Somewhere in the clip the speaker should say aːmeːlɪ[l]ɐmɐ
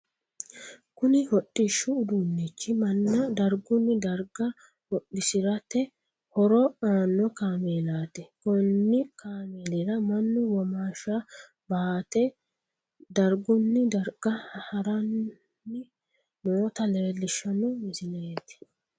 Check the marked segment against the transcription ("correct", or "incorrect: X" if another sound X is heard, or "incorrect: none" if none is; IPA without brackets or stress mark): incorrect: ɾ